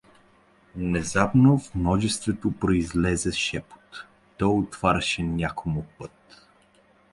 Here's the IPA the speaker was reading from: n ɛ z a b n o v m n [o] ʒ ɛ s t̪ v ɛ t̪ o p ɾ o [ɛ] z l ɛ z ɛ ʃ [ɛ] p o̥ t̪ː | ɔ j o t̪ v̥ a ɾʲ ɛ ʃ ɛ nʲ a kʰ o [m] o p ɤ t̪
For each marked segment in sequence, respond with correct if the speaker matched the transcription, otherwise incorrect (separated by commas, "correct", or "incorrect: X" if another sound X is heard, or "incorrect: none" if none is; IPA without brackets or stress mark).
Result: incorrect: ɔ, incorrect: i, correct, correct